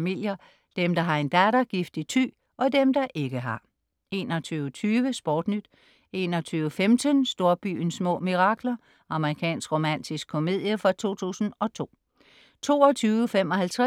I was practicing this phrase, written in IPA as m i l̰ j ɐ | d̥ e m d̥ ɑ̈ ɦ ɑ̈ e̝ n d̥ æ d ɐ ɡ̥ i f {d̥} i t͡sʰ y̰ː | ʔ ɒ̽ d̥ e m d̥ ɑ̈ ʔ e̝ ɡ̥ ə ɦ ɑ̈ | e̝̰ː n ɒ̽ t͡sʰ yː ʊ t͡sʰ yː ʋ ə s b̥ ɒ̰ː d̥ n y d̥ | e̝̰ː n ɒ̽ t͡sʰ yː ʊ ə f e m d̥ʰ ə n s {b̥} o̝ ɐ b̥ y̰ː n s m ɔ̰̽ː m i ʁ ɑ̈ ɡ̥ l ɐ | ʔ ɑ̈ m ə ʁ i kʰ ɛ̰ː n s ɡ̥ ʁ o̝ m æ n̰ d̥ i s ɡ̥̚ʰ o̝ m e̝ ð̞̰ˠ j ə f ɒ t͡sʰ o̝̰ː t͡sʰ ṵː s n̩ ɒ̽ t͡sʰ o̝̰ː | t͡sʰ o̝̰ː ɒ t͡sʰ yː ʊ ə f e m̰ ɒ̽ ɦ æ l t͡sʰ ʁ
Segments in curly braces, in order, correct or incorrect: correct, incorrect: d̥

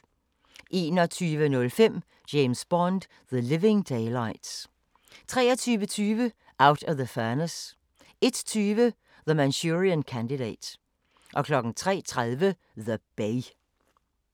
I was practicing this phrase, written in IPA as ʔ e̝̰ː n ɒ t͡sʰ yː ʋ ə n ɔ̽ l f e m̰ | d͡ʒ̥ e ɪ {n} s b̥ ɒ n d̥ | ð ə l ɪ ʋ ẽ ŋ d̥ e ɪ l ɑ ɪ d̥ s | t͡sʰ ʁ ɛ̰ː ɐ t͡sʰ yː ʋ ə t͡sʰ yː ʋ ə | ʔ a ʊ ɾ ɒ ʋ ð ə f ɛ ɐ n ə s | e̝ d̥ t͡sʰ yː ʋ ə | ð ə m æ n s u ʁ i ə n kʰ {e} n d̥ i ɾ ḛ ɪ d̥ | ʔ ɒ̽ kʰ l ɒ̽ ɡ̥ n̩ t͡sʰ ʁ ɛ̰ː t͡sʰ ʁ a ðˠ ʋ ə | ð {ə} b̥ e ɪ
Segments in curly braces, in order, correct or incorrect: incorrect: m, incorrect: æ, correct

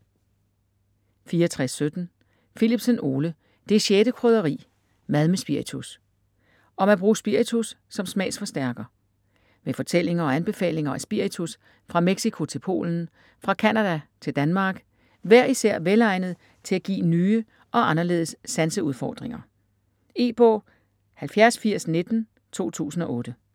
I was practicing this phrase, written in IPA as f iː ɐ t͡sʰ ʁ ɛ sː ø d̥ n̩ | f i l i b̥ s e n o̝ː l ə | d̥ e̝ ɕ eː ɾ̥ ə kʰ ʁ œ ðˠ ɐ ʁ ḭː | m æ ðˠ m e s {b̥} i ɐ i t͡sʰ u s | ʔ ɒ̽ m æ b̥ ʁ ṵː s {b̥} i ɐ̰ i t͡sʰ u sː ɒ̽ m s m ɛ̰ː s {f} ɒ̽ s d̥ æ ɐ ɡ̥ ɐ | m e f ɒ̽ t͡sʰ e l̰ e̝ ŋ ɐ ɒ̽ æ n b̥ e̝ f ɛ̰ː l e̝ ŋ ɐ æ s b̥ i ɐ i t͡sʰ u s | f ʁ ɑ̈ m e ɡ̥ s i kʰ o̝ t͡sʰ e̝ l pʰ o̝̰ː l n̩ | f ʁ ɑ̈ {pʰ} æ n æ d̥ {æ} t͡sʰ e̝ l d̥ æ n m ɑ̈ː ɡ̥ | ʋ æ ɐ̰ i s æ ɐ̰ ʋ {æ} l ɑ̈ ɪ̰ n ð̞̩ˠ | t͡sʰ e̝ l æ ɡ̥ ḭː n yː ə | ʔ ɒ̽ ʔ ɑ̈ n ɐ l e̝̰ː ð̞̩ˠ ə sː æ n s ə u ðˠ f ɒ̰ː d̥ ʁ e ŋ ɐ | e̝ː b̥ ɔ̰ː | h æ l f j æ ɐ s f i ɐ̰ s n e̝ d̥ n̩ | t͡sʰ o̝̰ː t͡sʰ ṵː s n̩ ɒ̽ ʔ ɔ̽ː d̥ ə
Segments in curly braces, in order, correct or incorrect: correct, correct, correct, incorrect: kʰ, correct, incorrect: e

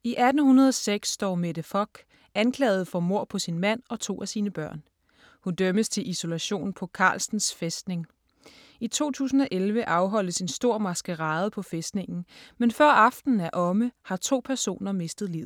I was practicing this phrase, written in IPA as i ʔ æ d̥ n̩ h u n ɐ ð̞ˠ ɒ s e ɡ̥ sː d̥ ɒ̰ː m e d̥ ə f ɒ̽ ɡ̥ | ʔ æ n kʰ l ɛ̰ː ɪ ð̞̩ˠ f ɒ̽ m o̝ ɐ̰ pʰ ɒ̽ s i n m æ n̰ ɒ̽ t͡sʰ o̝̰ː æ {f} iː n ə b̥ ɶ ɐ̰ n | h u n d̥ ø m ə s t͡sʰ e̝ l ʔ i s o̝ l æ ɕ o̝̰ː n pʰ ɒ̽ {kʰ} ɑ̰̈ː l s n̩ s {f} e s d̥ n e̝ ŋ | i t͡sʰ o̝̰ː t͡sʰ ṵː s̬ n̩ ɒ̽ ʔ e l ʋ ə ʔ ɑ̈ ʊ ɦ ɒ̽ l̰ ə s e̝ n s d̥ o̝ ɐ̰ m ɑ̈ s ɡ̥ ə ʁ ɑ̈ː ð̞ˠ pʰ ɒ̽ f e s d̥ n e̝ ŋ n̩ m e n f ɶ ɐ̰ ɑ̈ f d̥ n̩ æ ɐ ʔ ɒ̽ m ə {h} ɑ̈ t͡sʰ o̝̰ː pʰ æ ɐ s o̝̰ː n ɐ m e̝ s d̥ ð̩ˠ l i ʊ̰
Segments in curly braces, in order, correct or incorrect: incorrect: s, correct, correct, correct

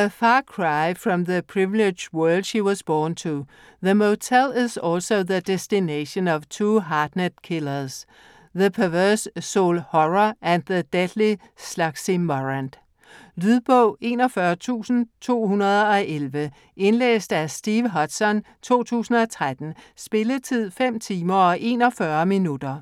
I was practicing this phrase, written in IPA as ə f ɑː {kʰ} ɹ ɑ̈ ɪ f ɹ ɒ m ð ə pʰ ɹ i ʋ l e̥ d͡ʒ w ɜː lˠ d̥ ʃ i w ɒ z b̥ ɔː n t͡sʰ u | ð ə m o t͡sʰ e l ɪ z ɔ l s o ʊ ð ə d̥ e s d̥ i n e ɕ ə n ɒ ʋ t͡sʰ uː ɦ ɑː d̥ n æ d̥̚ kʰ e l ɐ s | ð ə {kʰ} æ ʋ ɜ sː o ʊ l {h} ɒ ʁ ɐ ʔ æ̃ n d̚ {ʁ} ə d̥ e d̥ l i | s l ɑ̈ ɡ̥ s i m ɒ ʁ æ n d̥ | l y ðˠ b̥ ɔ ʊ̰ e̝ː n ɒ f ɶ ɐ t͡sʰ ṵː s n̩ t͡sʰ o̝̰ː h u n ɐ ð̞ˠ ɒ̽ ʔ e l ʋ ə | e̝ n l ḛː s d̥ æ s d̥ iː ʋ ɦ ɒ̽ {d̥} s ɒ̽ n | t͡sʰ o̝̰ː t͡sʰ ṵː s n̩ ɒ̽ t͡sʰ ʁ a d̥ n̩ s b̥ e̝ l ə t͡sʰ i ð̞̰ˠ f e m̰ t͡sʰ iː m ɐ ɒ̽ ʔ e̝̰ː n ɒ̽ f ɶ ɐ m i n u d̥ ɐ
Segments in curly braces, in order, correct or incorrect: correct, incorrect: pʰ, correct, incorrect: ð, correct

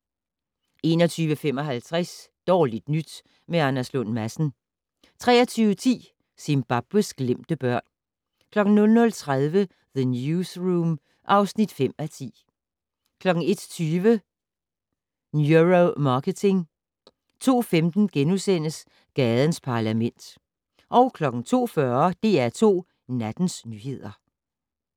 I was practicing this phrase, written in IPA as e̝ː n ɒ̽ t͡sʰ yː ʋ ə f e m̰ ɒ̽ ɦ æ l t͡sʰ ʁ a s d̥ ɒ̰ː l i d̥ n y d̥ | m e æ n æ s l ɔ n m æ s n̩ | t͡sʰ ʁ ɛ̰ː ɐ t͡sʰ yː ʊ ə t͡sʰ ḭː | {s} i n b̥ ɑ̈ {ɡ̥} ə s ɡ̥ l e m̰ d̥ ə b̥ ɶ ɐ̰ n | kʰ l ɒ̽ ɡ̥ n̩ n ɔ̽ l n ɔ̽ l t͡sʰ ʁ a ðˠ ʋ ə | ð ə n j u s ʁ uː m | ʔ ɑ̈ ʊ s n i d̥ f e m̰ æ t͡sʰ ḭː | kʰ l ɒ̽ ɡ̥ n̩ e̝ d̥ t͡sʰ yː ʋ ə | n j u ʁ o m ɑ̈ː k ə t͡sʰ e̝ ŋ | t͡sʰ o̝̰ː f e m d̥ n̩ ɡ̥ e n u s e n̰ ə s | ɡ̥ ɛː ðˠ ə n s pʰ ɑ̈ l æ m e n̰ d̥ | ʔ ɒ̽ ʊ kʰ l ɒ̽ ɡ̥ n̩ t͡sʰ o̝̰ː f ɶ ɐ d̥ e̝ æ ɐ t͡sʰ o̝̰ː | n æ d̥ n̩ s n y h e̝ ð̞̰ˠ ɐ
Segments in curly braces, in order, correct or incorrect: correct, incorrect: b̥

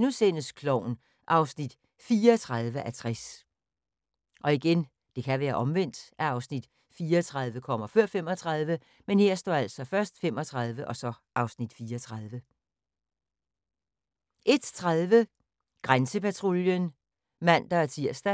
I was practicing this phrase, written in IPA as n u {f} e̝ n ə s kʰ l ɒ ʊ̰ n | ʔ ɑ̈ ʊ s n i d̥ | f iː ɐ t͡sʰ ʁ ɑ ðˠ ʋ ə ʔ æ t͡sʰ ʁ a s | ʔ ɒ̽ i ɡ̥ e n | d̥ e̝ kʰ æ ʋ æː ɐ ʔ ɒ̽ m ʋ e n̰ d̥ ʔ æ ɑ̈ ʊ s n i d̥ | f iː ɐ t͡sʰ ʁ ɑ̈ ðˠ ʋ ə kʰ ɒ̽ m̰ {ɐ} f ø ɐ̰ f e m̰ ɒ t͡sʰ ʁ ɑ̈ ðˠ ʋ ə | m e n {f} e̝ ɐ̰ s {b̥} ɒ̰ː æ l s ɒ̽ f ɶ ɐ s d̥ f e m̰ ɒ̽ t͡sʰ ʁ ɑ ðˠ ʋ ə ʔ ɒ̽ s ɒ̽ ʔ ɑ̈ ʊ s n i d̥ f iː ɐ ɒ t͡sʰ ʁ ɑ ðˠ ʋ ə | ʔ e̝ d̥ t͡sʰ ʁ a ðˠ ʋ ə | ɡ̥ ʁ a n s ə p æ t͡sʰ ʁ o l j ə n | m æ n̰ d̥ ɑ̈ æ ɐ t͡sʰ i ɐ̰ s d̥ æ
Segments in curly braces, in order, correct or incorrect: incorrect: s, correct, incorrect: h, incorrect: d̥

